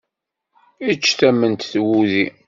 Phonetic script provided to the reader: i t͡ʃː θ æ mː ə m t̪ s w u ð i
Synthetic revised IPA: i t͡ʃː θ æ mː ə n t̪ θ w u ð i